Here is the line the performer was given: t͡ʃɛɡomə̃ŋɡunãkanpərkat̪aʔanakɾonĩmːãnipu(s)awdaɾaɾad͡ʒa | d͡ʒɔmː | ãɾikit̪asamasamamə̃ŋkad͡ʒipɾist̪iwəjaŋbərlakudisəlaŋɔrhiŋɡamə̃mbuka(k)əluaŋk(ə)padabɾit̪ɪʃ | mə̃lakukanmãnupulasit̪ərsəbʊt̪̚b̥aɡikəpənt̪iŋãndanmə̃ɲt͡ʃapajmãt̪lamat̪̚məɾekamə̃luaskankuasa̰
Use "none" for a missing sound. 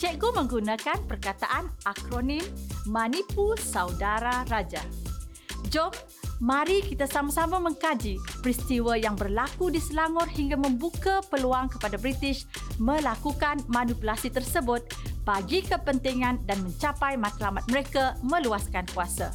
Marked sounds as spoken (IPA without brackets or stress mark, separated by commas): s, p, ə